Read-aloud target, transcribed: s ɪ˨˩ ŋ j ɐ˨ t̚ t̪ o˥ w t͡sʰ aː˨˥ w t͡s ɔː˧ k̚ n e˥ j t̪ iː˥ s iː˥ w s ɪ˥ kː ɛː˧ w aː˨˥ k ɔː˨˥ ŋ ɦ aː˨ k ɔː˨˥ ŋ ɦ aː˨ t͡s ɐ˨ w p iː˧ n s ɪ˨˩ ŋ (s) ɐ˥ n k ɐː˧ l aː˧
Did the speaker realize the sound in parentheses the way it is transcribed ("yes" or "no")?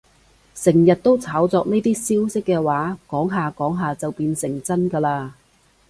no